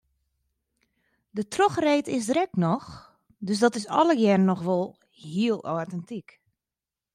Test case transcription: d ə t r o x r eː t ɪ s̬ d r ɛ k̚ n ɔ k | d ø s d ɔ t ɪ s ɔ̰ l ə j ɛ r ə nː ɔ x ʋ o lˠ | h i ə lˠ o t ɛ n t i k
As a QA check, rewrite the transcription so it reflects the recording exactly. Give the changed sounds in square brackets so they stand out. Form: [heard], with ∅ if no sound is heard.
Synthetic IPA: d ə t r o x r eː t ɪ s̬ d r ɛ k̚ n ɔ [x] | d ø s d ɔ t ɪ s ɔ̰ l ə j ɛ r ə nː ɔ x ʋ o lˠ | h i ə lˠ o t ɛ n t i k